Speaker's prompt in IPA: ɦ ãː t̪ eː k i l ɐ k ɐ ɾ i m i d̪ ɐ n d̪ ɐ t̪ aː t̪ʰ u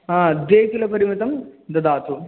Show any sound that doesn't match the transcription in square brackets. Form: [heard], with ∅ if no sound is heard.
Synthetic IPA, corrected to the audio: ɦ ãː [d̪] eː k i l ɐ [p] ɐ ɾ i m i [t̪] ɐ [m] d̪ ɐ [d̪] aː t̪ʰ u

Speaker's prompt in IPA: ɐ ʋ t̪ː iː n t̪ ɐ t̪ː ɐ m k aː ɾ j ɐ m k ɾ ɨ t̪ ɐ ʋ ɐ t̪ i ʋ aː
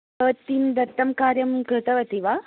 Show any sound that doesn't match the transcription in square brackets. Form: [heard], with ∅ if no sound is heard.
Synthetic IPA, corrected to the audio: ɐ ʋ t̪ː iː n [d̪] ɐ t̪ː ɐ m k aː ɾ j ɐ m k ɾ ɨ t̪ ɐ ʋ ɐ t̪ i ʋ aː

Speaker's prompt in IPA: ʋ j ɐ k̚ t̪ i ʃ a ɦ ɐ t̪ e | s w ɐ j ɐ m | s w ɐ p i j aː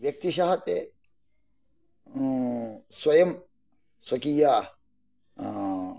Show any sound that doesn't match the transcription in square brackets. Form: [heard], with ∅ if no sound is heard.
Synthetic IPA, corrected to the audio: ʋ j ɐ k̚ t̪ i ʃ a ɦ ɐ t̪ e | s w ɐ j ɐ m | s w ɐ [k] i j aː

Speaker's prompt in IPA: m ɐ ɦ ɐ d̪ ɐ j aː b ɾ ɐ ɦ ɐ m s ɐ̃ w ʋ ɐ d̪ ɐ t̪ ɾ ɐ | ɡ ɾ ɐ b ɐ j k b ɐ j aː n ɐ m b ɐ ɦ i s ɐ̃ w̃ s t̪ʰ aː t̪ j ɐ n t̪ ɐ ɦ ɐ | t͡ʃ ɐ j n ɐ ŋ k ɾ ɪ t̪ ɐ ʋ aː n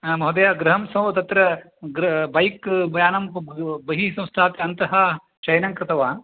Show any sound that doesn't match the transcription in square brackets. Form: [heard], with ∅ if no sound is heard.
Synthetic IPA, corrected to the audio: m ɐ ɦ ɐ d̪ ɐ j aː [ɡ] ɾ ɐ ɦ ɐ m s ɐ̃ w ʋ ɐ [t̪] ɐ t̪ ɾ ɐ | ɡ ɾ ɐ b ɐ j k b ɐ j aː n ɐ m b ɐ ɦ i s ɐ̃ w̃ s t̪ʰ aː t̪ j ɐ n t̪ ɐ ɦ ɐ | t͡ʃ ɐ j n ɐ ŋ k ɾ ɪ t̪ ɐ ʋ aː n

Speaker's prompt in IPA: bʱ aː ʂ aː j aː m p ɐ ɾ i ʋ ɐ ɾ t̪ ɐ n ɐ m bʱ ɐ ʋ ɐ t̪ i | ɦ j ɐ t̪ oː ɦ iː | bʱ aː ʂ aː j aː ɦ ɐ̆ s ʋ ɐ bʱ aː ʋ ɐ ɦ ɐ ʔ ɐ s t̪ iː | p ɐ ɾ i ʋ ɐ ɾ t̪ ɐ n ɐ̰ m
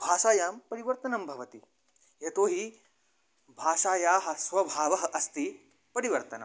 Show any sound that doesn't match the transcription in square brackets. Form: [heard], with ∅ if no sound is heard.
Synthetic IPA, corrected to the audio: bʱ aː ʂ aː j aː m p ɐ ɾ i ʋ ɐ ɾ t̪ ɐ n ɐ m bʱ ɐ ʋ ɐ t̪ i | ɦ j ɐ t̪ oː ɦ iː | bʱ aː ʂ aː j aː ɦ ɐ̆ s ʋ ɐ bʱ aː ʋ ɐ ɦ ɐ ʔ ɐ s t̪ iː | p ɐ ɾ i ʋ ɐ ɾ t̪ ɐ n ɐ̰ m

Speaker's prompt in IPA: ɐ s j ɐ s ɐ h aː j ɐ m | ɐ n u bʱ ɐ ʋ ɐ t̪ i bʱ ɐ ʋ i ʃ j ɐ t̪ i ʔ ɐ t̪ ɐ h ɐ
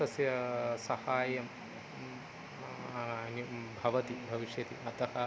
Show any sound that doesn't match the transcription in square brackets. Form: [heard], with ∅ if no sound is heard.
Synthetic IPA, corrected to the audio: ɐ s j ɐ s ɐ h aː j ɐ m | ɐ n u bʱ ɐ ʋ ɐ t̪ i bʱ ɐ ʋ i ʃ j ɐ t̪ i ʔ ɐ t̪ ɐ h ɐ

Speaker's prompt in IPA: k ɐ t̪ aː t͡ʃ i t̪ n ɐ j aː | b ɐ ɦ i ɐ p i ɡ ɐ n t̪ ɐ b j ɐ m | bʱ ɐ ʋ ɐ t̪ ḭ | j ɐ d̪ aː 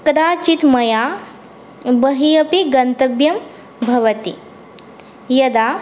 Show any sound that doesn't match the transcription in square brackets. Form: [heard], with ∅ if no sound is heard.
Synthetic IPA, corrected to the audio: k ɐ [d̪] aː t͡ʃ i t̪ [m] ɐ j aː | b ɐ ɦ i ɐ p i ɡ ɐ n t̪ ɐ b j ɐ m | bʱ ɐ ʋ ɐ t̪ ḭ | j ɐ d̪ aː

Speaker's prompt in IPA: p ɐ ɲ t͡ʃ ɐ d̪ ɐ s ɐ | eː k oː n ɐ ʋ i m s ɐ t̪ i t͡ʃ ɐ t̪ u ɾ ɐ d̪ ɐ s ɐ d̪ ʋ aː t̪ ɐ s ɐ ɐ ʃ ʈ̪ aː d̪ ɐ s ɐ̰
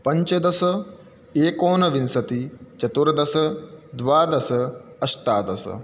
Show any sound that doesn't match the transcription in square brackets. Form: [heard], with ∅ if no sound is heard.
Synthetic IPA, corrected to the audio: p ɐ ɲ t͡ʃ ɐ d̪ ɐ s ɐ | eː k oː n ɐ ʋ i [n] s ɐ t̪ i t͡ʃ ɐ t̪ u ɾ ɐ d̪ ɐ s ɐ d̪ ʋ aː [d̪] ɐ s ɐ ɐ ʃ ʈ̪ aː d̪ ɐ s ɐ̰

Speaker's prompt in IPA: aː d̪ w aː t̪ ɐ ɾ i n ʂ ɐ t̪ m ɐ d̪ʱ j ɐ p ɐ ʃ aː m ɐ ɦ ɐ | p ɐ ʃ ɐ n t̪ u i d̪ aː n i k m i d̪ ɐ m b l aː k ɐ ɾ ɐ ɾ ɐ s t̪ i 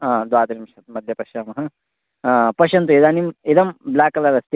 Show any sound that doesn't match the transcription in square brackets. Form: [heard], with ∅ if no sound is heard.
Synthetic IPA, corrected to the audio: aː d̪ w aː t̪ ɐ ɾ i [m] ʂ ɐ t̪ m ɐ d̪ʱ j ɐ p ɐ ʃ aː m ɐ ɦ ɐ | p ɐ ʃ ɐ n t̪ u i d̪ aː n i [∅] m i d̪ ɐ m b l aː k ɐ [l] ɐ ɾ ɐ s t̪ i

